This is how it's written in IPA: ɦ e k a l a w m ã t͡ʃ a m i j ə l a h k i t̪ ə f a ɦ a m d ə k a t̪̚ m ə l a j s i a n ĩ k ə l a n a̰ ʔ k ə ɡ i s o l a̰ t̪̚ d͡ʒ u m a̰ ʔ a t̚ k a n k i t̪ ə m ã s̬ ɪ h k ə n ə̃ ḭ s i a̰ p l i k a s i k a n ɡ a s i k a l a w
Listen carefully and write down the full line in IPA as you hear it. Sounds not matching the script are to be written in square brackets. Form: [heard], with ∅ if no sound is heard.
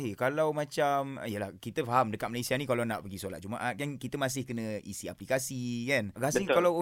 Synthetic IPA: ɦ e k a l a w m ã t͡ʃ a m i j ə l a h k i t̪ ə f a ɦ a m d ə k a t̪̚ m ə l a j s i a n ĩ k [a] l a n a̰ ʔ [p] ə ɡ i s o l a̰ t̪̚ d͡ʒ u m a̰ ʔ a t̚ k a n k i t̪ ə m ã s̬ ɪ h k ə n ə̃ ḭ s i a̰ p l i k a s i k a n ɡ a s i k a l a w